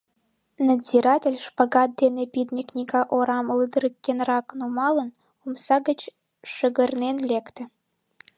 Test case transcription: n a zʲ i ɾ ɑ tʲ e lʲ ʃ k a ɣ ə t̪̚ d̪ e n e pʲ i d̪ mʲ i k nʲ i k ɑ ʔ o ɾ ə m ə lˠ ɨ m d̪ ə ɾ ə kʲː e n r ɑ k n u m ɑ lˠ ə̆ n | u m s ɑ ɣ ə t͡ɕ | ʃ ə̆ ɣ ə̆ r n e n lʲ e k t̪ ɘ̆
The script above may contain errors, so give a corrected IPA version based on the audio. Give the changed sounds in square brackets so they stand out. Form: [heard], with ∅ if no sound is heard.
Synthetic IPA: n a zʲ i ɾ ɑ tʲ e lʲ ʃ [p] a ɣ [ɑ] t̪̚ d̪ e n e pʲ i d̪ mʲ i k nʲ i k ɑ ʔ o ɾ [ɑ] m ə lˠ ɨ [∅] d̪ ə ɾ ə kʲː e n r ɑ k n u m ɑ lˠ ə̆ n | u m s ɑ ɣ ə t͡ɕ | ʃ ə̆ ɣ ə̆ r n e n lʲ e k t̪ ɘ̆